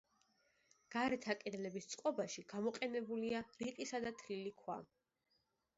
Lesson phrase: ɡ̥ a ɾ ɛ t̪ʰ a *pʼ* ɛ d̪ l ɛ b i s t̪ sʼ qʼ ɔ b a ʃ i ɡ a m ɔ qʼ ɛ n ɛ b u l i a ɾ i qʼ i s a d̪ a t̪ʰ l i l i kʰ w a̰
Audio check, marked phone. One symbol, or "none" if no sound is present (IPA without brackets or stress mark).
kʼ